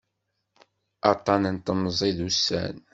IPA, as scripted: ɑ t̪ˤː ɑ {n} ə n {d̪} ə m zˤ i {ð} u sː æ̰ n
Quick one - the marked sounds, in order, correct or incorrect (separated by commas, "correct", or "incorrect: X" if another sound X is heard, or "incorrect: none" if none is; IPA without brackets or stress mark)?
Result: correct, incorrect: t̪, correct